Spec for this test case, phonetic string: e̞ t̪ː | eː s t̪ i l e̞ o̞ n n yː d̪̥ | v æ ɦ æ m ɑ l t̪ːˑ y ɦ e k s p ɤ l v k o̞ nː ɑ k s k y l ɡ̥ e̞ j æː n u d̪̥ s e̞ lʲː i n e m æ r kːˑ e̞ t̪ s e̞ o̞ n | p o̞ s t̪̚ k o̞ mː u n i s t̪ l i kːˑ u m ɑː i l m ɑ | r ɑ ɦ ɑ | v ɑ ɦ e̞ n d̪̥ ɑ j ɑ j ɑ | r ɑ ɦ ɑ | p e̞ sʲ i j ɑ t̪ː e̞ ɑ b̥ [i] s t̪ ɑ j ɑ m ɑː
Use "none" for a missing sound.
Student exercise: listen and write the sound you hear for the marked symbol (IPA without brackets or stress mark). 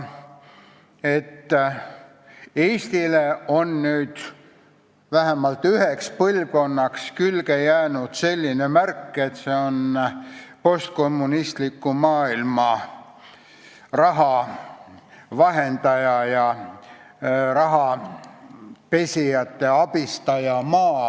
i